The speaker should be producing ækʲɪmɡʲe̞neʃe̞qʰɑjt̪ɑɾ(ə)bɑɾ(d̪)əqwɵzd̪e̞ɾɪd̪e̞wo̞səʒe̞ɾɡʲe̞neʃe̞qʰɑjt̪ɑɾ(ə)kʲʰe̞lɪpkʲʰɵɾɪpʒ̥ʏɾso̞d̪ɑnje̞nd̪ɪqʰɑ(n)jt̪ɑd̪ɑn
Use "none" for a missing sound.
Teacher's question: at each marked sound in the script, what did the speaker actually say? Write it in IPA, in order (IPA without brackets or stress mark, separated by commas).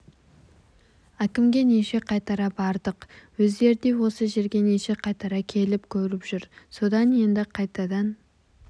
ɑ, d̪, ɑ, none